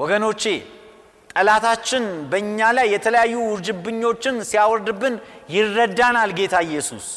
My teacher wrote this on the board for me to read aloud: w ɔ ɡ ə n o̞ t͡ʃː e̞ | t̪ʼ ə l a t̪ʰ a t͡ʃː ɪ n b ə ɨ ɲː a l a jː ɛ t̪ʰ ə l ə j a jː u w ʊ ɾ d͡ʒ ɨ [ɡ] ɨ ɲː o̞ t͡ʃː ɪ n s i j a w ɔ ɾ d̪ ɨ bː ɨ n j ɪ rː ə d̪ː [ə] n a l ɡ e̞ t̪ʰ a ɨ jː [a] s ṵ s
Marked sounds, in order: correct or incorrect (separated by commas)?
incorrect, incorrect, incorrect